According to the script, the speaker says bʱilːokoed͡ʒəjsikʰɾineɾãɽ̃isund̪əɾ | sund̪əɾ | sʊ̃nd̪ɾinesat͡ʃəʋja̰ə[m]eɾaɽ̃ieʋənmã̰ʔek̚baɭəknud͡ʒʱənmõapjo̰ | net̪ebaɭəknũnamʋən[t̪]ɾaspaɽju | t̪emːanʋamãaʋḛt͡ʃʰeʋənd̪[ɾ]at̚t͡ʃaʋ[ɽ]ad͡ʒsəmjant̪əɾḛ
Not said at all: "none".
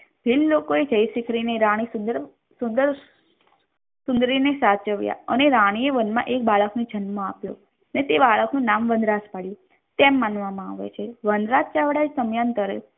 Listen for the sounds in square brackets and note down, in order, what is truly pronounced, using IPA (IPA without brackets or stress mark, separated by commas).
n, d̪, ɾ, ɽ